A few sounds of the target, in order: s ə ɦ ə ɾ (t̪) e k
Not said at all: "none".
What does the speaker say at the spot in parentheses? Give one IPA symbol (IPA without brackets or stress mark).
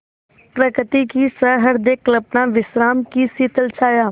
d̪